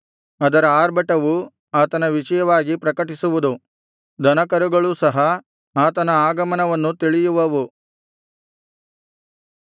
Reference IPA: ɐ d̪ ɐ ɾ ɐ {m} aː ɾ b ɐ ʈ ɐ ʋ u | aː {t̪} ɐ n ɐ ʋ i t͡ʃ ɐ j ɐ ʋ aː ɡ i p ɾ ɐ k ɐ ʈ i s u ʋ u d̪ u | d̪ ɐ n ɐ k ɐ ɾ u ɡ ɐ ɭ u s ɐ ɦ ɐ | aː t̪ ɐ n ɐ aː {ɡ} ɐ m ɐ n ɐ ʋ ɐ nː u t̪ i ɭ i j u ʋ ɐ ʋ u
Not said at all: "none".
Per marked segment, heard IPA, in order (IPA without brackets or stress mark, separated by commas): none, t̪, ɡ